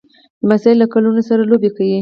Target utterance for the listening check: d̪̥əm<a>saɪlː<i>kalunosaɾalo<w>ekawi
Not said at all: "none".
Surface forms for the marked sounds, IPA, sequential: a, a, b

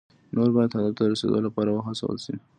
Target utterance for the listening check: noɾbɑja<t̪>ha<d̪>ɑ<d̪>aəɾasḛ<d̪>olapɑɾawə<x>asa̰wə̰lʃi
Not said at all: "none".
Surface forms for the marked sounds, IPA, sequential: d̪, d̪, t̪, d̪, x

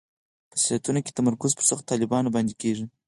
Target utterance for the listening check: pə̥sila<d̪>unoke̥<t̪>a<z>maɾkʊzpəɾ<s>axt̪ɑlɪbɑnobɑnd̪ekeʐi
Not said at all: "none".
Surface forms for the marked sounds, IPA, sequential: t̪, t̪, none, s

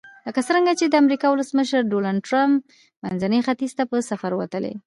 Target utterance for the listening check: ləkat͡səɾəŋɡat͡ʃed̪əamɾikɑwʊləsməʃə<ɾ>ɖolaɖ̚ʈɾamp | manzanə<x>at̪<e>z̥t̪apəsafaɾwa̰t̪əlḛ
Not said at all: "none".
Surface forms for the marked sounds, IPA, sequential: ɾ, x, i

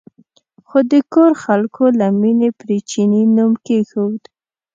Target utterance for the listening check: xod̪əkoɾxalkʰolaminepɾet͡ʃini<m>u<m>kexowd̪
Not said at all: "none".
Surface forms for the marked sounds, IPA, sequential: n, m

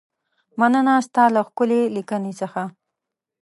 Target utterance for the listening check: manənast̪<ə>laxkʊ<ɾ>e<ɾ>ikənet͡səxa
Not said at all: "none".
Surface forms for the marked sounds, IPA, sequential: ɑ, l, l

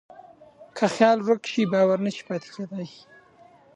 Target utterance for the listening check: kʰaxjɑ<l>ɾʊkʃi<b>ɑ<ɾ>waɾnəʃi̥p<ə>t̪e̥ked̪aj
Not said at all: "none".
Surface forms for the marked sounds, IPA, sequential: l, b, none, ɑ

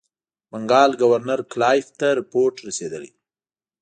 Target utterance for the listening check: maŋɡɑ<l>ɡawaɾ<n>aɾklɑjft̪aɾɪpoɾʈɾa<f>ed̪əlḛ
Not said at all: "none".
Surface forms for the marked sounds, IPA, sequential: l, n, s

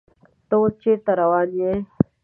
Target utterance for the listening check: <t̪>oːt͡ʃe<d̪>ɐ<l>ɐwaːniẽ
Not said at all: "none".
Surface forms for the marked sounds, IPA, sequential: t̪, t̪, ɾ

